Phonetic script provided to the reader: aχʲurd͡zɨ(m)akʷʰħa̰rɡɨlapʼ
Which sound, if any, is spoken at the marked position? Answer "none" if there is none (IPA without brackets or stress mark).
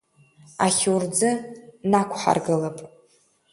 n